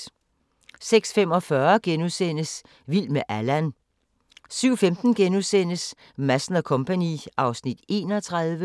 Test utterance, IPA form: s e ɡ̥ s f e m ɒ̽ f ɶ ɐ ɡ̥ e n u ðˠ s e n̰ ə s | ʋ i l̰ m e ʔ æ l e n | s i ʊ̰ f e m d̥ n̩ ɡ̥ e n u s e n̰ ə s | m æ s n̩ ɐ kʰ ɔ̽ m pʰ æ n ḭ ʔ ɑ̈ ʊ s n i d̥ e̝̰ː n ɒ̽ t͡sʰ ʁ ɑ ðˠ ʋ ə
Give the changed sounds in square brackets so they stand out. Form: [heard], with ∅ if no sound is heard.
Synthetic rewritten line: s e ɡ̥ s f e m ɒ̽ f ɶ ɐ ɡ̥ e n u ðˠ s e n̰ ə s | ʋ i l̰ m e ʔ æ l [æ] n | s [y] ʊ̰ f e m d̥ n̩ ɡ̥ e n u s e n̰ ə s | m æ s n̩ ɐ kʰ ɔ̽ m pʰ æ n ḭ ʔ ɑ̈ ʊ s n i d̥ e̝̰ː n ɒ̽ t͡sʰ ʁ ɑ ðˠ ʋ ə